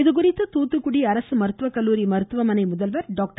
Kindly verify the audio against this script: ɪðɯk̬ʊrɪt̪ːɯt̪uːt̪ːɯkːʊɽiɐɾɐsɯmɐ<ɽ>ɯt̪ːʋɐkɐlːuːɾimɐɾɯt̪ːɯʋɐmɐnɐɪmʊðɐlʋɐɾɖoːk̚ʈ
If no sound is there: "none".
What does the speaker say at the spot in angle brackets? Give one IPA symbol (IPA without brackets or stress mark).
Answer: ɾ